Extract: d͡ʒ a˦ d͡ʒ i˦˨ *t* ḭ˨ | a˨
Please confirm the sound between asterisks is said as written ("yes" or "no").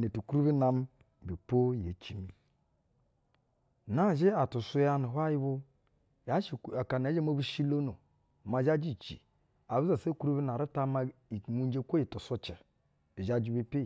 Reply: no